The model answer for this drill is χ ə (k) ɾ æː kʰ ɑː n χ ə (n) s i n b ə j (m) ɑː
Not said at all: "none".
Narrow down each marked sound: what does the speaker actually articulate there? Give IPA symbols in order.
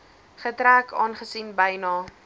t, none, n

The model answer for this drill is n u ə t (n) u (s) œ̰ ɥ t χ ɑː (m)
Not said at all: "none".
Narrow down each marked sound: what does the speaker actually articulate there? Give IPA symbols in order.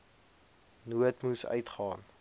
m, s, n

